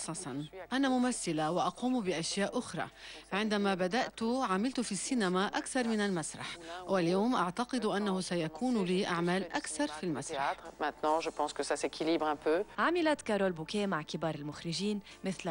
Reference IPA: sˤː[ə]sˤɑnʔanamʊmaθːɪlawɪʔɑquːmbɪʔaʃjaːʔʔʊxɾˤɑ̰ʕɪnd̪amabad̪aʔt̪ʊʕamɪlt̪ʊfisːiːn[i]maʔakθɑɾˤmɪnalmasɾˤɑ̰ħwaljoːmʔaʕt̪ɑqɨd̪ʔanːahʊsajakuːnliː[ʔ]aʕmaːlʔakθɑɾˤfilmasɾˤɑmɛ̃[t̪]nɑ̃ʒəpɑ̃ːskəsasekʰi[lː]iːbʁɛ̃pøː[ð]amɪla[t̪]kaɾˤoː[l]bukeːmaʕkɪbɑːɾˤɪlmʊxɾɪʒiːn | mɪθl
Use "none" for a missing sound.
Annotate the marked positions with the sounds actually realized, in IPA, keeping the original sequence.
ɑ, a, ʔ, t̪, l, ʕ, t̪, l

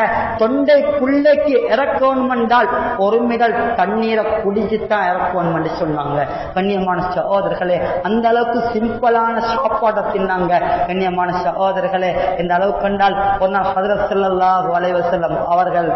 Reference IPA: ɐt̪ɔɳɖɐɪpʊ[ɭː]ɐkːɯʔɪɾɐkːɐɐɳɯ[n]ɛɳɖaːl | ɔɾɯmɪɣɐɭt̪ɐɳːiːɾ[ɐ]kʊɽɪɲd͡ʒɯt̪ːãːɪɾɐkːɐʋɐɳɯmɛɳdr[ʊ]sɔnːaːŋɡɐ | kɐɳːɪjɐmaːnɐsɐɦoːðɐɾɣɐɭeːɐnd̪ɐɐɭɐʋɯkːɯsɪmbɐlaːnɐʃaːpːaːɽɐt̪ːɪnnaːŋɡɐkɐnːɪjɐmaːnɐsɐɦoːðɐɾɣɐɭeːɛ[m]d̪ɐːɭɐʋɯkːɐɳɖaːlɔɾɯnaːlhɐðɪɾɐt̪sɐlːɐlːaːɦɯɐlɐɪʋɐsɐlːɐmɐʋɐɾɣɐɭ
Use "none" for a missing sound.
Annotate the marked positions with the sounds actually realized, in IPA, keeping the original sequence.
ɭː, m, ɐ, ɯ, n

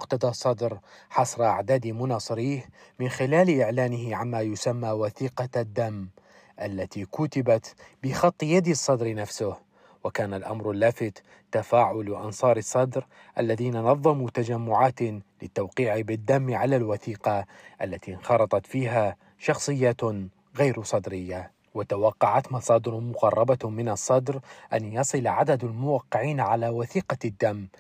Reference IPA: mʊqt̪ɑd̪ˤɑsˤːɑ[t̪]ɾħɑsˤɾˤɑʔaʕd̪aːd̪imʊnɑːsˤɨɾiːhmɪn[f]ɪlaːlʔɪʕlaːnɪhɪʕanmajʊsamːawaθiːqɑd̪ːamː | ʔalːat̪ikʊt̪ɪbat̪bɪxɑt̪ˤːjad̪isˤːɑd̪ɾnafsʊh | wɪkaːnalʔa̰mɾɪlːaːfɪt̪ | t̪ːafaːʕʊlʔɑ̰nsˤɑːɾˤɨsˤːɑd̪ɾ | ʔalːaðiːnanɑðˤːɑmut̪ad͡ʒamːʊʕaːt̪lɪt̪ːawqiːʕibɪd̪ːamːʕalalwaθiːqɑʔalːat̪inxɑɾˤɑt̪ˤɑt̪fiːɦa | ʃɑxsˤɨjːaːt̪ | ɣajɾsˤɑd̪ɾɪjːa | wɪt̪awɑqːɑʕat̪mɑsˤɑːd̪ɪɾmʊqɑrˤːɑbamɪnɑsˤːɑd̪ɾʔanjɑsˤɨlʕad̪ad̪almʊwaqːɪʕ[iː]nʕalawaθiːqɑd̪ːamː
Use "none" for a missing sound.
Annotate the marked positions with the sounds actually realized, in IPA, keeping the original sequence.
d̪, x, iː

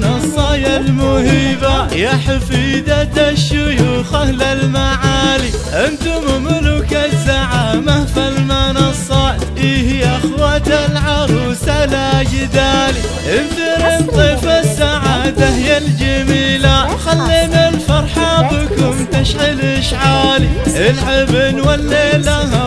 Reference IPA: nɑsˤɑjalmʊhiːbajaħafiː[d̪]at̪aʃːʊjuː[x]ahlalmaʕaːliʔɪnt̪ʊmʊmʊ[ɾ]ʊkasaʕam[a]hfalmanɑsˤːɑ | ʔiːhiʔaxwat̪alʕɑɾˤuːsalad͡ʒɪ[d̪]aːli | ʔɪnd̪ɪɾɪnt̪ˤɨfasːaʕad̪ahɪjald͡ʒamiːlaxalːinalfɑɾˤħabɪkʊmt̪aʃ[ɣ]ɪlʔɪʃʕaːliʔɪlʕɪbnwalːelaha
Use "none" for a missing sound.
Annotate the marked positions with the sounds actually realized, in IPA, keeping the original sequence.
d̪, x, l, a, d̪, ʕ

